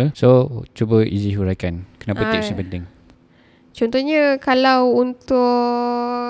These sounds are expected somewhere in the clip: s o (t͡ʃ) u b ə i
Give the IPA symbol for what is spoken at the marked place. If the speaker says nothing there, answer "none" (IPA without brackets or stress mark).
t͡ʃ